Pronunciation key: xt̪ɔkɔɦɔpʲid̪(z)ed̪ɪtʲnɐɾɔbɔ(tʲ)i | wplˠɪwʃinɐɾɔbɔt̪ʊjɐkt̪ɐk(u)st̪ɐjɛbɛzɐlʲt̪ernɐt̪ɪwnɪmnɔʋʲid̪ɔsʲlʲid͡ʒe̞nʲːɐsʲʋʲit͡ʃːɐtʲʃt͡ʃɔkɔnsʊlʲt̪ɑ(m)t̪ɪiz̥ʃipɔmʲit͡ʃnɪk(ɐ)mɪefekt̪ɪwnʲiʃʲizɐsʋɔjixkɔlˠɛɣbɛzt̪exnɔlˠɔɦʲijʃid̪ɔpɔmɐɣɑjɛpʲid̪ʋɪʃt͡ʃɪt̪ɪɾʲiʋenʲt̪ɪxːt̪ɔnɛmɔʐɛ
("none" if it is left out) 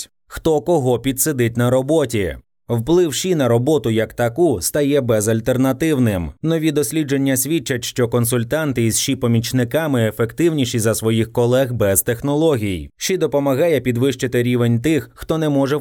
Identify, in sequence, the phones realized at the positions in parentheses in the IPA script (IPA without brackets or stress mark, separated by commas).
s, tʲ, u, n, ɑ